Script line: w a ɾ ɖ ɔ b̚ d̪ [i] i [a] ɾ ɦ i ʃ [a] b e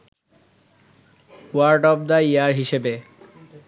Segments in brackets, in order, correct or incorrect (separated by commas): incorrect, correct, incorrect